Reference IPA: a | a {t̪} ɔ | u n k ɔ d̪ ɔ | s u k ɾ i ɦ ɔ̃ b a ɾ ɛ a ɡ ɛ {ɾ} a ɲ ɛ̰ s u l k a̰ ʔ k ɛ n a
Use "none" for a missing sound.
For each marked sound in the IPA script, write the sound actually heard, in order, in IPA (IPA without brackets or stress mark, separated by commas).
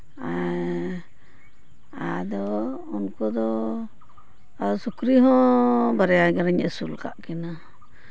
d̪, ɾ